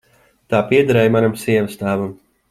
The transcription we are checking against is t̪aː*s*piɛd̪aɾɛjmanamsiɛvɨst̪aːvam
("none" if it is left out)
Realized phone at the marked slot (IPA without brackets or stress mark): none